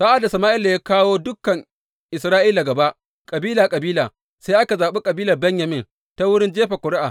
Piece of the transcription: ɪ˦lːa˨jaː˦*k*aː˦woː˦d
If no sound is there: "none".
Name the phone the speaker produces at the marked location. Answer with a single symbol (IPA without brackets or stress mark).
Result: k